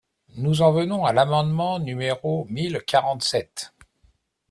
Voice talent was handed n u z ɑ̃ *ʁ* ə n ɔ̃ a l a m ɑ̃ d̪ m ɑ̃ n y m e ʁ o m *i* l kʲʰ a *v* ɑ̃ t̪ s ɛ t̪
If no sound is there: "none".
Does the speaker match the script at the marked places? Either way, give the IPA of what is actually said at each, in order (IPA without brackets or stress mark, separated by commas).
v, i, ʁ